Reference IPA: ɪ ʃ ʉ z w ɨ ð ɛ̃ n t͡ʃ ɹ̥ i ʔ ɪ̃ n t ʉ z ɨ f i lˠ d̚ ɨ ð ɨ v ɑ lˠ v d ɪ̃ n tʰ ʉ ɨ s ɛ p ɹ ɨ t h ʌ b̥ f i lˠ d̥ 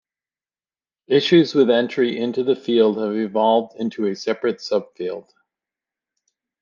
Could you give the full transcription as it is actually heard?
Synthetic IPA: ɪ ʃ ʉ z w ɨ ð ɛ̃ n t͡ʃ ɹ̥ i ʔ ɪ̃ n t ʉ ð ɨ f i lˠ d̚ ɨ v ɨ v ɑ lˠ v d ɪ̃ n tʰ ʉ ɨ s ɛ p ɹ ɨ t s ʌ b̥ f i lˠ d̥